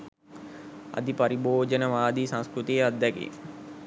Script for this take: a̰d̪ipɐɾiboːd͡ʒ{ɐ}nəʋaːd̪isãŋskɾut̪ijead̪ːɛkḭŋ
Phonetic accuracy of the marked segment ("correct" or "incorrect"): incorrect